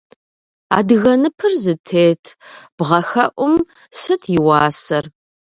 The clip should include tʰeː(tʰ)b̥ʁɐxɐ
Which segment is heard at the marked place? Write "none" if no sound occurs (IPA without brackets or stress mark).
tʰ